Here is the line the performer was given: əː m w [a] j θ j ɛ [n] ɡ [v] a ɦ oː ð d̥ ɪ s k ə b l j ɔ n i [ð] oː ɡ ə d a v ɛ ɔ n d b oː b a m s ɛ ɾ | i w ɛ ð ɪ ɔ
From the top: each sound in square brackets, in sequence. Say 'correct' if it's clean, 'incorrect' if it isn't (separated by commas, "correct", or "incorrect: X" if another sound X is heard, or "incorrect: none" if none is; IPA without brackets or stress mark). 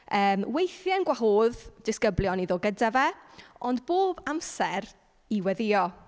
incorrect: e, correct, incorrect: w, correct